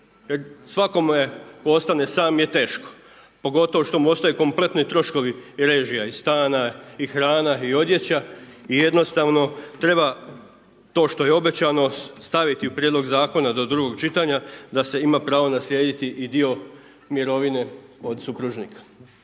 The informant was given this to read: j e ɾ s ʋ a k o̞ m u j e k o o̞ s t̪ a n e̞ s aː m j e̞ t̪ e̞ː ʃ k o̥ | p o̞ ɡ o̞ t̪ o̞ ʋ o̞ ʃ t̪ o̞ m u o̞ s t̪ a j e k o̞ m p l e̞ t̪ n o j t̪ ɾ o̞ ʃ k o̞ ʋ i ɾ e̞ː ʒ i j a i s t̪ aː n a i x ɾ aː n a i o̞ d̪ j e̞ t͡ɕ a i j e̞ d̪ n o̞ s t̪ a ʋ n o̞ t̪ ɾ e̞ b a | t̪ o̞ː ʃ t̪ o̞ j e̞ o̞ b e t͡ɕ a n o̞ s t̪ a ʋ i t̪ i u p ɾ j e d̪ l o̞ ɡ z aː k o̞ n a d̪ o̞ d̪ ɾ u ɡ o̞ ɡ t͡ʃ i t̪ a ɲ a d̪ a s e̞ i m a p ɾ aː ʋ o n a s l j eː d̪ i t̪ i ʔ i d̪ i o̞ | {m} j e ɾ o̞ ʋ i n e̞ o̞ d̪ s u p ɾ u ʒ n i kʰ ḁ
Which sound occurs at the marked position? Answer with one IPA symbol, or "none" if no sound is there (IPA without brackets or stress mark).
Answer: m